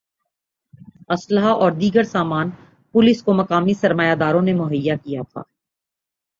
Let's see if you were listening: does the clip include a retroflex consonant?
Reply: no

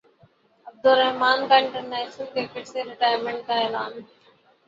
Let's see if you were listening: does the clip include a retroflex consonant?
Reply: yes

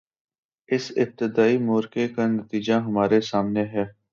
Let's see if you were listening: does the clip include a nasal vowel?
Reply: no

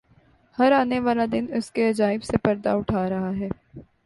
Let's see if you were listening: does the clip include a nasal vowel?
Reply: no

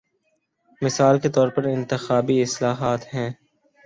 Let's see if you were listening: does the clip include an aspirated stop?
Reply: no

